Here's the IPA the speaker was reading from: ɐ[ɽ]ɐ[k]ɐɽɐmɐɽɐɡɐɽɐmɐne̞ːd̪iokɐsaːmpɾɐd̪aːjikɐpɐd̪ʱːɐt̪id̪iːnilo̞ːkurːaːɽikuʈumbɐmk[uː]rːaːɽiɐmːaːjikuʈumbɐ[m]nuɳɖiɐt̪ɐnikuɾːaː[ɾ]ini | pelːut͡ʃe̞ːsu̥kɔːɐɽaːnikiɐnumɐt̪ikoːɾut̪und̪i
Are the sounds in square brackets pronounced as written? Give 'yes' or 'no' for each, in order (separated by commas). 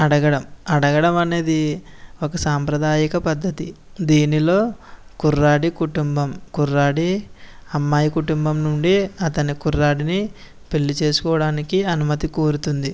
yes, no, no, yes, no